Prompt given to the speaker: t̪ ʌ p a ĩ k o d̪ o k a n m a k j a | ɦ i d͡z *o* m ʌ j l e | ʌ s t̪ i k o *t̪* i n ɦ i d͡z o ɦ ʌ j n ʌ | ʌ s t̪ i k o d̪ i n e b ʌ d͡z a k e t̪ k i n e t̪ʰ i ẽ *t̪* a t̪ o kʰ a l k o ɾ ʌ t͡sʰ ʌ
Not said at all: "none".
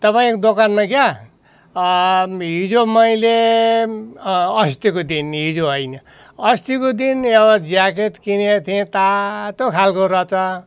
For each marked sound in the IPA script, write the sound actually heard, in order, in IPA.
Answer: o, d̪, t̪

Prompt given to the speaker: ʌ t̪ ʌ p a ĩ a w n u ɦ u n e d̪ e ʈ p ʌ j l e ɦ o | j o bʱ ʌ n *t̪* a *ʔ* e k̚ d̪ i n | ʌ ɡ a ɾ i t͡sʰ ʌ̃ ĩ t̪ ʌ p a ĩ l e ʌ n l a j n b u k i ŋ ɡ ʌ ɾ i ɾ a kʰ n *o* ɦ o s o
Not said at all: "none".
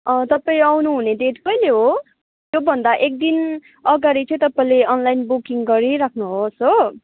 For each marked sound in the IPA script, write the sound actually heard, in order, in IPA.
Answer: d̪, ʔ, u

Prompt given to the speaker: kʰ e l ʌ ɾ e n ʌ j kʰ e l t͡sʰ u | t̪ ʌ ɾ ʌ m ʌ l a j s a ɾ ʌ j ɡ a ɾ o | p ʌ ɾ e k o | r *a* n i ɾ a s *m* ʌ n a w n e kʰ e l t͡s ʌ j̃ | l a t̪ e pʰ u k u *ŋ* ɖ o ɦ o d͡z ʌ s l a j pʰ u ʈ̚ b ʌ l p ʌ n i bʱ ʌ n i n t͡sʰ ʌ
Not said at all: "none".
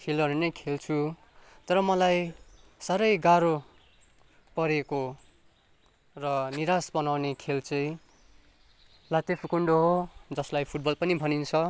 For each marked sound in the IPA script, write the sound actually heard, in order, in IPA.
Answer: ʌ, b, ɳ

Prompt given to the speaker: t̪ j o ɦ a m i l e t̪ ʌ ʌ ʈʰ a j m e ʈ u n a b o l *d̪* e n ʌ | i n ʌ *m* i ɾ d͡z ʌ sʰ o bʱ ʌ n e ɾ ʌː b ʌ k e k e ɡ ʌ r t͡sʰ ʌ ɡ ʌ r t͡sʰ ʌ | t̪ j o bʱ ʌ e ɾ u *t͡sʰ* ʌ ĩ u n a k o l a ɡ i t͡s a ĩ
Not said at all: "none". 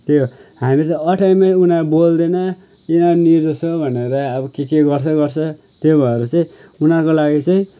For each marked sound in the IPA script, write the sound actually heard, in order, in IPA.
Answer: d̪, n, t͡s

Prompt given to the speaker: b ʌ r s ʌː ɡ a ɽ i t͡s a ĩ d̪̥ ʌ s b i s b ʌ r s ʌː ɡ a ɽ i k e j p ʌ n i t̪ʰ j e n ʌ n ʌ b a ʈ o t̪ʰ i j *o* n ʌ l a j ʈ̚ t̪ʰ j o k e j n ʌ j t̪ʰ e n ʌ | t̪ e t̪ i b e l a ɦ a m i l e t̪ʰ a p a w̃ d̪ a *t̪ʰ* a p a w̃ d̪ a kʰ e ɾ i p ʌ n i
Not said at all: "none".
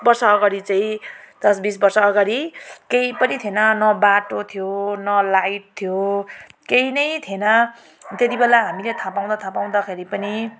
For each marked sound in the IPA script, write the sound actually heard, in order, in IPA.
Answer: o, t̪ʰ

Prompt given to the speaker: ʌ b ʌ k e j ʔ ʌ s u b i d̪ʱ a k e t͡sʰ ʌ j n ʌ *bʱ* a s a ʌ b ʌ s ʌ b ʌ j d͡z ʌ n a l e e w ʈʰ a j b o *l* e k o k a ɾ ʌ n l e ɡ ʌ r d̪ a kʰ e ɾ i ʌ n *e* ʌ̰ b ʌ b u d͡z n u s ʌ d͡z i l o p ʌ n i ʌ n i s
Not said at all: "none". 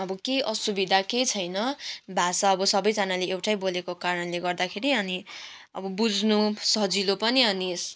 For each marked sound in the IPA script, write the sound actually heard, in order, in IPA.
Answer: bʱ, l, i

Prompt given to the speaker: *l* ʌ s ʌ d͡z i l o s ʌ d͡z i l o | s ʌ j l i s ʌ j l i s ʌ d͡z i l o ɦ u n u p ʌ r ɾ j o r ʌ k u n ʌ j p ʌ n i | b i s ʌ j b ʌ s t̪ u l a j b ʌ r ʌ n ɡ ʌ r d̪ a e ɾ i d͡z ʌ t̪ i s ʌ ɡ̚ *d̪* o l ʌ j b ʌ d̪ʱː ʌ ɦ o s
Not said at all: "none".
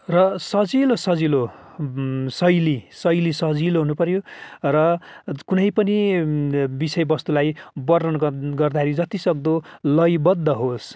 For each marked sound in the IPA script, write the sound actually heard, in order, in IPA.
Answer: r, d̪

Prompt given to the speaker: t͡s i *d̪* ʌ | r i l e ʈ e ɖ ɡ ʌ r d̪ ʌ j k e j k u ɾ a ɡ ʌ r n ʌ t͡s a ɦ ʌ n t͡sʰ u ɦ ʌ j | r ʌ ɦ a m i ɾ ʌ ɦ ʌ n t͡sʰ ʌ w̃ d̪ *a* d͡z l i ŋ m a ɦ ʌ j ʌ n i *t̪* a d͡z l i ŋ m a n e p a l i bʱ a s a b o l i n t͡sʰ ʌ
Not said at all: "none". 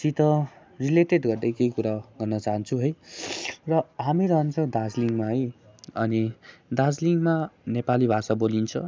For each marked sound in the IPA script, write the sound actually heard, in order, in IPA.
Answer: t̪, a, d̪

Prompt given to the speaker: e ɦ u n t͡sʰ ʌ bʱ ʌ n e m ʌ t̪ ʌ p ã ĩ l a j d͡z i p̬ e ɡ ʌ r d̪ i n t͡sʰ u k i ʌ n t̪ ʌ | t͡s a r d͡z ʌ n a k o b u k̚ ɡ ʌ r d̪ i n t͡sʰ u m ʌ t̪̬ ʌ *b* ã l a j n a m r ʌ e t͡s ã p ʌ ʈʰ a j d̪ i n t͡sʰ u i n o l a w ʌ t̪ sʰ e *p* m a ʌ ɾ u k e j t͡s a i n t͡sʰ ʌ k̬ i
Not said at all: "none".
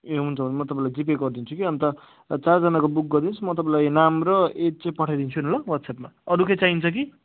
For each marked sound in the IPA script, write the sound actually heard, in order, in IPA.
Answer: p, p

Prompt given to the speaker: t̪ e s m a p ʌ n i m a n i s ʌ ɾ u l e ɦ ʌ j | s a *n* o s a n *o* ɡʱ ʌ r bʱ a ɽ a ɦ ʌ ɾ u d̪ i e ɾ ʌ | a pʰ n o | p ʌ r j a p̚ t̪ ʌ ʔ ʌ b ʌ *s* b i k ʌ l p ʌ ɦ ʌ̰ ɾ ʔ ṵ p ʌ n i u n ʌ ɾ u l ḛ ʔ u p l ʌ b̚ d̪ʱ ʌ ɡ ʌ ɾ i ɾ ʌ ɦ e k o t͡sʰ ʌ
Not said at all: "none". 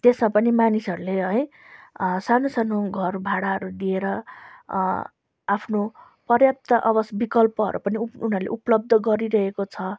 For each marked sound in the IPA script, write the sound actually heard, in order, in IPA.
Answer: n, o, s

